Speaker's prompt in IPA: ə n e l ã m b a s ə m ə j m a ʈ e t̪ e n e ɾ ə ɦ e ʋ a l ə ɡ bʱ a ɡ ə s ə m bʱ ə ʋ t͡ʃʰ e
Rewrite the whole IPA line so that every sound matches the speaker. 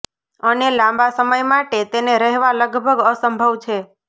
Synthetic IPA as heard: ə n e l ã m b a s ə m ə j m a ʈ e t̪ e n e ɾ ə ɦ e ʋ a l ə ɡ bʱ ə ɡ ə s ə m bʱ ə ʋ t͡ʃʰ e